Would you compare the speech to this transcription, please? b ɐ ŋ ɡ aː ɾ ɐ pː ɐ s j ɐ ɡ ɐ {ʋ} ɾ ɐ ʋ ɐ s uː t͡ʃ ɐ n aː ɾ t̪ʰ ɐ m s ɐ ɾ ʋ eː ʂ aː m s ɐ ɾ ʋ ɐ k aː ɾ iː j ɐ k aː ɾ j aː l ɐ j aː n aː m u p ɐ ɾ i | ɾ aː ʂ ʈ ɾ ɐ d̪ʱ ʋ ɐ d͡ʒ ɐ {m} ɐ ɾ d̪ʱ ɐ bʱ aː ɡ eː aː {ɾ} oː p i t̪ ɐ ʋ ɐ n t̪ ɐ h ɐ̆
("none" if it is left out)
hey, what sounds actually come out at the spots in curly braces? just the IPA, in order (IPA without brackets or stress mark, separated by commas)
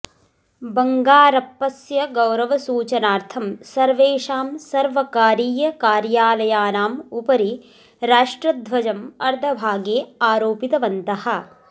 w, m, ɾ